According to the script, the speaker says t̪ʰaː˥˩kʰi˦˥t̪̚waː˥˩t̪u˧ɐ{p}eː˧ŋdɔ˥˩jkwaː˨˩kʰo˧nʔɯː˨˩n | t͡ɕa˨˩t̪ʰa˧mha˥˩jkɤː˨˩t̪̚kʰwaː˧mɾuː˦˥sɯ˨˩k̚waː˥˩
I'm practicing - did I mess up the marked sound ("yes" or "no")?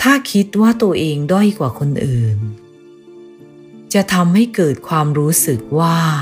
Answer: yes